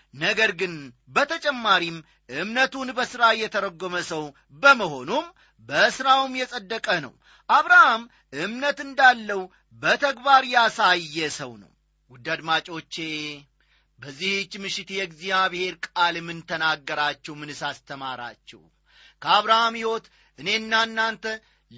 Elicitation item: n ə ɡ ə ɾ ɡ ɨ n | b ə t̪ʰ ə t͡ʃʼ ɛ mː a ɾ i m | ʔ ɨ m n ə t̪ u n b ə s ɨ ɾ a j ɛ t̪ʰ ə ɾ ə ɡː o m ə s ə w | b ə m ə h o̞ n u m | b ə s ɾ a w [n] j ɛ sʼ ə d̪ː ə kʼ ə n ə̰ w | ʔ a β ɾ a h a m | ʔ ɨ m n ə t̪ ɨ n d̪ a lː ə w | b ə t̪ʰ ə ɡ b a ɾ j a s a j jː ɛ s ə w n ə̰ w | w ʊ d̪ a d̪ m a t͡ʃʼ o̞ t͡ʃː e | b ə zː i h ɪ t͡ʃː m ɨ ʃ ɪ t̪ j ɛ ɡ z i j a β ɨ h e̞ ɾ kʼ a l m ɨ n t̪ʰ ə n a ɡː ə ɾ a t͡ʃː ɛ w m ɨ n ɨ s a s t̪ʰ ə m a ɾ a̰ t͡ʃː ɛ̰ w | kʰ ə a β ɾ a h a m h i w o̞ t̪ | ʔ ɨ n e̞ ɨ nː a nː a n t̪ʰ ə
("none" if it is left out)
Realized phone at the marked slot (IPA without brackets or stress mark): m